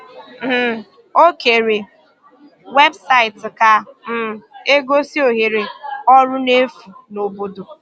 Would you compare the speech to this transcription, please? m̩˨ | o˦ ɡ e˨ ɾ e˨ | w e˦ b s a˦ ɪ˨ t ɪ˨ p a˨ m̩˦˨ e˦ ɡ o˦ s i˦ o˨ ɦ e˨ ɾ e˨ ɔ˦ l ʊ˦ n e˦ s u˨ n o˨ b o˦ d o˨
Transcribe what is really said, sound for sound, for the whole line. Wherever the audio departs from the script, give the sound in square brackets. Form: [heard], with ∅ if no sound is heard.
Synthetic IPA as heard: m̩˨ | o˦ [k] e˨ ɾ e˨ | w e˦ b s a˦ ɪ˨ t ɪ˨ [k] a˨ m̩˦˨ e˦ ɡ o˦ s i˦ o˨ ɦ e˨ ɾ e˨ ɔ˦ [ɾ] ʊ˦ n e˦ [f] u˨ n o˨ b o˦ d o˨

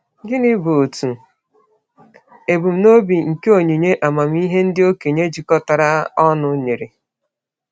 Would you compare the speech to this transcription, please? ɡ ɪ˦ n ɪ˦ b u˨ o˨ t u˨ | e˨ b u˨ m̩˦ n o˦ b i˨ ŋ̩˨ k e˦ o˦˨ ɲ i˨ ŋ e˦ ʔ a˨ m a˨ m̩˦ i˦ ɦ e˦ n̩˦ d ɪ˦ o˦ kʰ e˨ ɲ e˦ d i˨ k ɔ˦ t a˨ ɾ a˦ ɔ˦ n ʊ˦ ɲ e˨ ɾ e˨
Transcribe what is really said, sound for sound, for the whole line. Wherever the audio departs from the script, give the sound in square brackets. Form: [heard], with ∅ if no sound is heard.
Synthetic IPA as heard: ɡ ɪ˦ n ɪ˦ b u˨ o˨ t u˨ | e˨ b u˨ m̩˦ n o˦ b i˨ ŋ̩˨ k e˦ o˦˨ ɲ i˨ [ɲ] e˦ ʔ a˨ m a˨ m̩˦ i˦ ɦ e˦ n̩˦ d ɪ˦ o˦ [k] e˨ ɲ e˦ [d͡ʒ] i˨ k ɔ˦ t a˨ ɾ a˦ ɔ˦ n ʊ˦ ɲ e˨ ɾ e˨

